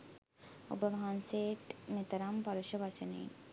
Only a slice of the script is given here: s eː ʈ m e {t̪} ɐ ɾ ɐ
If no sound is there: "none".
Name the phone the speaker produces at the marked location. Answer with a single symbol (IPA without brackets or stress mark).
t̪